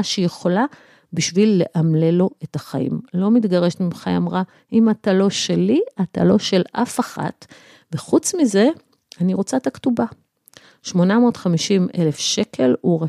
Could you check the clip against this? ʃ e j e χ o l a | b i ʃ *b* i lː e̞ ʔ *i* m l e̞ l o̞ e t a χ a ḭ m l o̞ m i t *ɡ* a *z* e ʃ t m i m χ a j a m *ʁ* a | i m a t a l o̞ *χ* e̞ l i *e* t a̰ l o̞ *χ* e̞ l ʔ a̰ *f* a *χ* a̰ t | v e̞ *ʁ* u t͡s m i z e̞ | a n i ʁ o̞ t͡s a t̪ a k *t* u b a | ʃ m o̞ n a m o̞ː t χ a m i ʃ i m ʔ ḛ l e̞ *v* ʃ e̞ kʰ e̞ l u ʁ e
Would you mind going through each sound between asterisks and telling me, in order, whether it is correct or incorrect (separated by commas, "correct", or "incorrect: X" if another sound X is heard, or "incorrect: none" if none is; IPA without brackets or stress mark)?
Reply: incorrect: v, incorrect: a, correct, incorrect: ʁ, correct, incorrect: ʃ, incorrect: a, incorrect: ʃ, correct, correct, incorrect: χ, correct, incorrect: f